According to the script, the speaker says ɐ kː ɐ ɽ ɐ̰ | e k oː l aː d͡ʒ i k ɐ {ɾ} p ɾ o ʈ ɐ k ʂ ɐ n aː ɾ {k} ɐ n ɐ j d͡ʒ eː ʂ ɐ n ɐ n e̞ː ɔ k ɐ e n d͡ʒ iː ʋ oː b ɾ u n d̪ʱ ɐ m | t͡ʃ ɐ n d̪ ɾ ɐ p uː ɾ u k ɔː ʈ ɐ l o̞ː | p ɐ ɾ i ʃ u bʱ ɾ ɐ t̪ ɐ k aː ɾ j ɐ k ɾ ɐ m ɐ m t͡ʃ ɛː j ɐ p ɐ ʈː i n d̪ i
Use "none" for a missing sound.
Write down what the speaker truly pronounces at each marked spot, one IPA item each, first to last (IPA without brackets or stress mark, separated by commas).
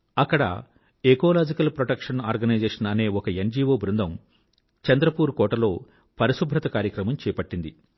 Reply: l, ɡ